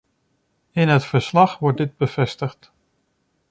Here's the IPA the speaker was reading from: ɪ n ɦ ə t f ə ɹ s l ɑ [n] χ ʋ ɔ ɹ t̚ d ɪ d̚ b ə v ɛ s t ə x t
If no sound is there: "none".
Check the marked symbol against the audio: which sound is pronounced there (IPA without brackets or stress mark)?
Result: none